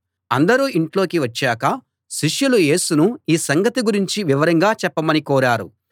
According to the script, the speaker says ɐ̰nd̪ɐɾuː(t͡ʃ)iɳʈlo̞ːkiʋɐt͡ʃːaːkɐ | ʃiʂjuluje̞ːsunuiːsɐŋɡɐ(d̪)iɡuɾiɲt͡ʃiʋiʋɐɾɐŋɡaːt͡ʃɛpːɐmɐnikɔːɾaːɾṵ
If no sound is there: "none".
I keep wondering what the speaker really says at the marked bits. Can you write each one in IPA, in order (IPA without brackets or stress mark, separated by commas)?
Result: none, t̪